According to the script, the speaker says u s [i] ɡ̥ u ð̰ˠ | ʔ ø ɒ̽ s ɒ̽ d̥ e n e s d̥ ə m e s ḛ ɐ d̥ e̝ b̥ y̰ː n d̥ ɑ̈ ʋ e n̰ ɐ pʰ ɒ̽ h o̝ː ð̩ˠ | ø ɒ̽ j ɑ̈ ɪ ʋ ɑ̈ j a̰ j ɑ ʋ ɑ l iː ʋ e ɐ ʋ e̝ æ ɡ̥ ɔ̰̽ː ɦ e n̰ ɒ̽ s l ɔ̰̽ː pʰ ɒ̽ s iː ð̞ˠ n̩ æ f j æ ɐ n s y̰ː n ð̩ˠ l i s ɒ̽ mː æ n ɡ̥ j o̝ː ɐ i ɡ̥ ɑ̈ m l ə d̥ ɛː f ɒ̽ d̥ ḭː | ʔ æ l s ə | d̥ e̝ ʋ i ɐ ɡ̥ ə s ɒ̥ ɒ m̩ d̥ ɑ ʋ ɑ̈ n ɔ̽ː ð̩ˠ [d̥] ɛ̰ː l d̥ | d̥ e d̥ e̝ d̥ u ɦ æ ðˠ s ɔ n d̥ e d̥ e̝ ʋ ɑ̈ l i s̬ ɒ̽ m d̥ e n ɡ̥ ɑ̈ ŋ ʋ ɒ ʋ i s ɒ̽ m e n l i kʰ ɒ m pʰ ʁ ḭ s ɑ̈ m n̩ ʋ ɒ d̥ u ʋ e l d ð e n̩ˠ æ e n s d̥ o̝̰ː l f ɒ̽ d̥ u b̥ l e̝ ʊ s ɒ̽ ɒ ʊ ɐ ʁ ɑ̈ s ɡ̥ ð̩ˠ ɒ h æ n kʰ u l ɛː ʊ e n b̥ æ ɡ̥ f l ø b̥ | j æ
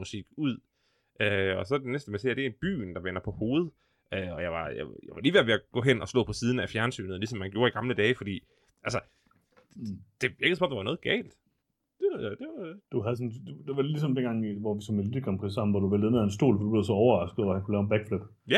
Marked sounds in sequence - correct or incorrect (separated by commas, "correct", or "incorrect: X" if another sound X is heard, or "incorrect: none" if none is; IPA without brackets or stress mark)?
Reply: correct, incorrect: ɡ̥